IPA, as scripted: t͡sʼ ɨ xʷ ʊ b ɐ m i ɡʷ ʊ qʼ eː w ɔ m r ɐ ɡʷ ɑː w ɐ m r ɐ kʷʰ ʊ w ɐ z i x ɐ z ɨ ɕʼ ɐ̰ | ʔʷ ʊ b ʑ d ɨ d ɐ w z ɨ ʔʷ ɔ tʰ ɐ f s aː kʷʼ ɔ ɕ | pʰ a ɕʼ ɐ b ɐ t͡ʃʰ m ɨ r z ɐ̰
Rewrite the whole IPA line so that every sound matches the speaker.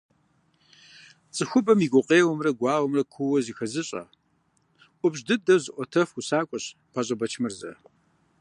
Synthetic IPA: t͡sʼ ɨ xʷ ʊ b ɐ m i ɡʷ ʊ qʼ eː w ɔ m r ɐ ɡʷ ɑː w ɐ m r ɐ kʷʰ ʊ w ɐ z i x ɐ z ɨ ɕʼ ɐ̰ | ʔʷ ʊ b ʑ d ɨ d ɐ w z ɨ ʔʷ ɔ tʰ ɐ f s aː kʷʼ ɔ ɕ | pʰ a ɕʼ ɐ b ɐ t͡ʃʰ m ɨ r z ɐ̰